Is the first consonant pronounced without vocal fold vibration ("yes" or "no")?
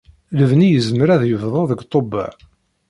no